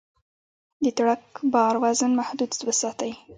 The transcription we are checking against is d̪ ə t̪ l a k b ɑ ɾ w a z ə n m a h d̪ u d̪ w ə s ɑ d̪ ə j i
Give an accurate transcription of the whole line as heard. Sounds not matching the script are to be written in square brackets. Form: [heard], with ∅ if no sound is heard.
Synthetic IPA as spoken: d̪ ə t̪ [ɽ] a k b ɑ ɾ w a z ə n m a h d̪ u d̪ w ə s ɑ [t̪] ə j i

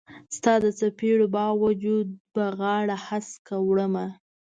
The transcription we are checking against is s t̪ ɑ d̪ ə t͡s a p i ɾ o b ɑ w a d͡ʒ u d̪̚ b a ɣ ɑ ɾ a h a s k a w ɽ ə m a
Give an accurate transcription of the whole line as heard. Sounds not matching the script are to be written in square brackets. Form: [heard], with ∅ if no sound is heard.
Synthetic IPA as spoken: s t̪ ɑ d̪ ə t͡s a p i [ɽ] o b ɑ w a d͡ʒ u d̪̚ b a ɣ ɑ [ɽ] a h a s k a w ɽ ə m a

